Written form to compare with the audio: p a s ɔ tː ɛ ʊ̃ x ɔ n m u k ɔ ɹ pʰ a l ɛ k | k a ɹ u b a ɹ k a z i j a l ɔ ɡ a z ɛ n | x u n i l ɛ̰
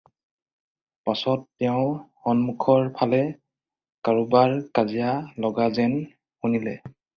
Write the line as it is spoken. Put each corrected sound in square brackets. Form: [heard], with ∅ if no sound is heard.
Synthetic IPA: p a s ɔ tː ɛ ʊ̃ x ɔ n m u [kʰ] ɔ ɹ pʰ a l ɛ [∅] | k a ɹ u b a ɹ k a z i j a l ɔ ɡ a z ɛ n | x u n i l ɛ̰

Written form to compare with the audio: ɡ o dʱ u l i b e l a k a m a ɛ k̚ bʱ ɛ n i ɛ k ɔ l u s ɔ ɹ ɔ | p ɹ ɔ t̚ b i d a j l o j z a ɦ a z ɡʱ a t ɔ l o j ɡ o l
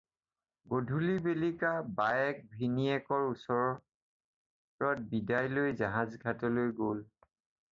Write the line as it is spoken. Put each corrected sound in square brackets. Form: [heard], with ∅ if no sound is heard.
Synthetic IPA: ɡ o dʱ u l i b e l [i] k a [b] a ɛ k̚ bʱ [i] n i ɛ k ɔ [ɹ] u s ɔ ɹ ɔ | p ɹ ɔ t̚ b i d a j l o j z a ɦ a z ɡʱ a t ɔ l o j ɡ o l

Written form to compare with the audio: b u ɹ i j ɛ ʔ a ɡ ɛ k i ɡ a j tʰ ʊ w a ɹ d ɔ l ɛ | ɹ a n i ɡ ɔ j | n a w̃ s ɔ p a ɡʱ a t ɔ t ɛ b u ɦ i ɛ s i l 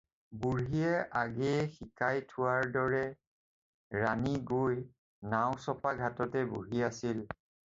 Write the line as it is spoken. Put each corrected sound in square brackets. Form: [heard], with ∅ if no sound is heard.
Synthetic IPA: b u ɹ i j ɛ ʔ a ɡ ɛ [x] i [k] a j tʰ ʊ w a ɹ d ɔ [ɹ] ɛ | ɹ a n i ɡ [o] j | n a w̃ s ɔ p a ɡʱ a t ɔ t ɛ b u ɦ i [a] s i l

